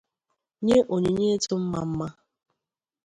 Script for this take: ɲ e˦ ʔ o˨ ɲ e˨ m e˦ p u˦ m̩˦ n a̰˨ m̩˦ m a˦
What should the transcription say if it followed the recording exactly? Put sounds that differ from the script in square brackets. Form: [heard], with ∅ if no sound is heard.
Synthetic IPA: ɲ e˦ ʔ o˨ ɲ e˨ [ɲ] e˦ [t] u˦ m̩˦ [m] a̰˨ m̩˦ m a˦